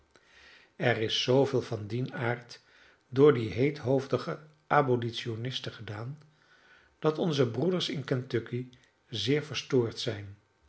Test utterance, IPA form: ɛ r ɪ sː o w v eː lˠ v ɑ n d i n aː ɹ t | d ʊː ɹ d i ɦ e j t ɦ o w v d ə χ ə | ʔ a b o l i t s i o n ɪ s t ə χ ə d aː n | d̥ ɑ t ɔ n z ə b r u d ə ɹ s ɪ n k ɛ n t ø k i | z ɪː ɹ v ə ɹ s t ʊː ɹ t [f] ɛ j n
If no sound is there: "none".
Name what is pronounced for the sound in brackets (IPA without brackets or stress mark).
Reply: s